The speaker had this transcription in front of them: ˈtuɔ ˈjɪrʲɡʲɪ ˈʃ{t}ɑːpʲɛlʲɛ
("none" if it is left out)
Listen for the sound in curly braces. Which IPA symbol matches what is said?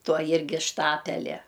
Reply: t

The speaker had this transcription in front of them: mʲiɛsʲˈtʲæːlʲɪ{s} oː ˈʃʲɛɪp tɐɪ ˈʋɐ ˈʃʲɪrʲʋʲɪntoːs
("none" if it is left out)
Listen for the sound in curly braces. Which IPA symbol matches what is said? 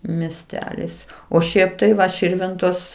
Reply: s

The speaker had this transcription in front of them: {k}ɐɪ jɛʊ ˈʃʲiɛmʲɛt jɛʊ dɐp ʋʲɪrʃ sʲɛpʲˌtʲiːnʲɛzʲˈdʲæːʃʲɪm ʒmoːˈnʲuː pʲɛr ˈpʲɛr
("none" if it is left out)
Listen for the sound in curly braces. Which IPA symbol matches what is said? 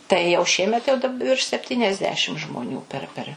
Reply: t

